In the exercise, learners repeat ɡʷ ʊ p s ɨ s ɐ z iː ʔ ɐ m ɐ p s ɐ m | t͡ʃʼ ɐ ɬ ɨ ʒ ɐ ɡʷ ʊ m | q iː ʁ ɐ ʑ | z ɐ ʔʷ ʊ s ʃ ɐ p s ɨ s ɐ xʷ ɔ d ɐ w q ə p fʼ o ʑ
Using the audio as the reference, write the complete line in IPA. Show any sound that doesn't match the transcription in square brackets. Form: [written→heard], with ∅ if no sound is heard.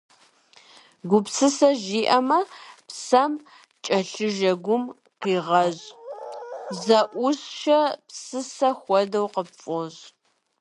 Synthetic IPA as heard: ɡʷ ʊ p s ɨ s ɐ [z→ʒ] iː ʔ ɐ m ɐ p s ɐ m | t͡ʃʼ ɐ ɬ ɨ ʒ ɐ ɡʷ ʊ m | q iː ʁ ɐ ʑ | z ɐ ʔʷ ʊ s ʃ ɐ p s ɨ s ɐ xʷ ɔ d ɐ w q ə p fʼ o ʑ